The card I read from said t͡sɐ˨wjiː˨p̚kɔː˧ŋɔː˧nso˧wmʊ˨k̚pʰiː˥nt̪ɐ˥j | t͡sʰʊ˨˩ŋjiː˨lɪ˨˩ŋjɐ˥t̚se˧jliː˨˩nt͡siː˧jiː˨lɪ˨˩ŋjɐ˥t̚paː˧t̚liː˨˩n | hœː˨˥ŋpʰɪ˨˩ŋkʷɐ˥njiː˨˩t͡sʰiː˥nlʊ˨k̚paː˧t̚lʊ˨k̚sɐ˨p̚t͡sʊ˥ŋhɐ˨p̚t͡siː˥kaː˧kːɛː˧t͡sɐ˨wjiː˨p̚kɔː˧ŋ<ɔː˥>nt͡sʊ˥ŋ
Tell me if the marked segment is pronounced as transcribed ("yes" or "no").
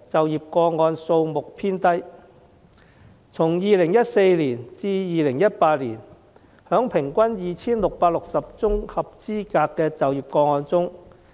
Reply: no